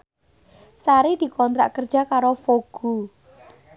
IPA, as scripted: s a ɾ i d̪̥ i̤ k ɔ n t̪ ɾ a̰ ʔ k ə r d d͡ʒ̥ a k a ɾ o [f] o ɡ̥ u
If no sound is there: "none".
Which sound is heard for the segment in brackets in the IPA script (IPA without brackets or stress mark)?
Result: f